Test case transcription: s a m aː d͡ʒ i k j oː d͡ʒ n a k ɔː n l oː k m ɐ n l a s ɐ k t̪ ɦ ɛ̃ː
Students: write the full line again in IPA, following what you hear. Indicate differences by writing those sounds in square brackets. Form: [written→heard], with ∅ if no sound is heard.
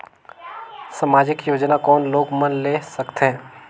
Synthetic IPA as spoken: s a m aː d͡ʒ [i→ɪ] k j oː d͡ʒ n a k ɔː n l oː [k→ɡ] m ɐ n l [a→e] s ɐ k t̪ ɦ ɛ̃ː